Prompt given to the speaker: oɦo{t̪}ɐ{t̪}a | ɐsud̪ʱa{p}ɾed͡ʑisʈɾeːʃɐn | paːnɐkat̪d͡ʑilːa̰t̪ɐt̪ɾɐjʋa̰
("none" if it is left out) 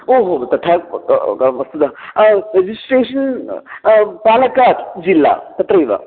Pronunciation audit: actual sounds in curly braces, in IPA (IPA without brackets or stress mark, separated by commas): t̪, t̪ʰ, none